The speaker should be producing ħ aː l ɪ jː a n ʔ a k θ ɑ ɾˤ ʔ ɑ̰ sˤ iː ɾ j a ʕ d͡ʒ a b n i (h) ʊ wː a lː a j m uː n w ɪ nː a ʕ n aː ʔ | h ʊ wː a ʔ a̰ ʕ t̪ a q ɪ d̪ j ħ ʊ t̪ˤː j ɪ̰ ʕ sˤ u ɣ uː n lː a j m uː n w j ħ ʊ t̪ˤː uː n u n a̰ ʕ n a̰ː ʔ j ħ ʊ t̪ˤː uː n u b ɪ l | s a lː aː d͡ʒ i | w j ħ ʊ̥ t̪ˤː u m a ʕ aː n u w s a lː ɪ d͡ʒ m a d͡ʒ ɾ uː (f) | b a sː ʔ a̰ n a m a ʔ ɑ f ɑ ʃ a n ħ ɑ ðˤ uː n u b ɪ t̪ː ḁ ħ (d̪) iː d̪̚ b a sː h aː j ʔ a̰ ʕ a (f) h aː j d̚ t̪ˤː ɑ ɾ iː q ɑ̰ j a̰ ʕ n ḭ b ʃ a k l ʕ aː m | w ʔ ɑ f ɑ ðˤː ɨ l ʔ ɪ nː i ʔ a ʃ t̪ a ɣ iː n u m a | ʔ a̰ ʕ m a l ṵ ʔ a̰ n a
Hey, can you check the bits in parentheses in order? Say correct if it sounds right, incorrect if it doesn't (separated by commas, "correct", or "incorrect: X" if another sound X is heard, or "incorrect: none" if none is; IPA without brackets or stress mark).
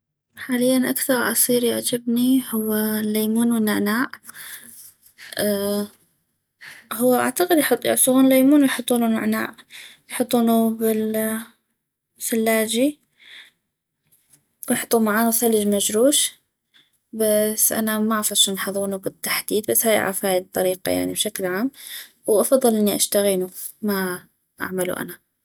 correct, incorrect: ʃ, correct, correct